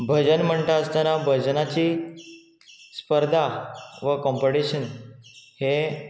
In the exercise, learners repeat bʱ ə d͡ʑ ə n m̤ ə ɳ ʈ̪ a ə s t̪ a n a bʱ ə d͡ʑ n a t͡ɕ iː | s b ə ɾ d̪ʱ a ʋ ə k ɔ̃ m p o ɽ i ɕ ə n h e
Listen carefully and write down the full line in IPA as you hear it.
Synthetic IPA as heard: bʱ ə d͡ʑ ə n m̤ ə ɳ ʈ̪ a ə s t̪ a n a bʱ ə d͡ʑ n a t͡ɕ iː | s p ə ɾ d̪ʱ a ʋ ə k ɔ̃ m p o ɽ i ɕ ə n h e